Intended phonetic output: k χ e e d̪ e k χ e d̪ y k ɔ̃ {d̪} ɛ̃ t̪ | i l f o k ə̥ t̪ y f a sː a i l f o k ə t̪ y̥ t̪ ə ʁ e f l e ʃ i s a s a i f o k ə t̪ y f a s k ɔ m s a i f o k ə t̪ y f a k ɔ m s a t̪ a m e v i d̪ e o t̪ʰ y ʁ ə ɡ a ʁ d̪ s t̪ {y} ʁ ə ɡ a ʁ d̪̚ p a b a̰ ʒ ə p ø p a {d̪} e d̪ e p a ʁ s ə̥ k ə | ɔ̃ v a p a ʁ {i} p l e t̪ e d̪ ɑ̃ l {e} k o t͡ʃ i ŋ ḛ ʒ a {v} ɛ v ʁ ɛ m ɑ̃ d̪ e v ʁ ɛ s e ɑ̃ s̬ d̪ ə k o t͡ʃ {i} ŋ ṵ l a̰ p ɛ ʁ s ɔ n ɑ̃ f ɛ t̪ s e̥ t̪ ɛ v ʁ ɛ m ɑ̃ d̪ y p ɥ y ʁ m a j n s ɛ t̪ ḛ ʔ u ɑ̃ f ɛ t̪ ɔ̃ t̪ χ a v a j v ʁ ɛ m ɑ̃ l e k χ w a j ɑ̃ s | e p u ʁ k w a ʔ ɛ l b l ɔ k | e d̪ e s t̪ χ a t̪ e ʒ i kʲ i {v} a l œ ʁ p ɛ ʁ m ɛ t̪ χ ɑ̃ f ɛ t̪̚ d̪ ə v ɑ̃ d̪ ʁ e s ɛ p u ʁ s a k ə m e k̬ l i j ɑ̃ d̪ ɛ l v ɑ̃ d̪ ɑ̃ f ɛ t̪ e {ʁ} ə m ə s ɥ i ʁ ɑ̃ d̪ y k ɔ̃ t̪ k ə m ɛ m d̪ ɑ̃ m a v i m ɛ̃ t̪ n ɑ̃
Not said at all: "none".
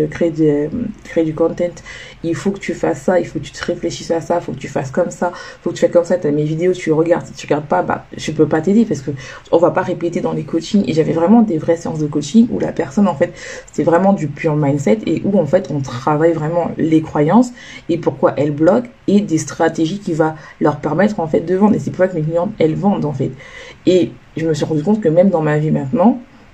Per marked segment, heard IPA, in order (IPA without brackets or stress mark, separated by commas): t̪, y, t̪, e, e, v, i, v, ʒ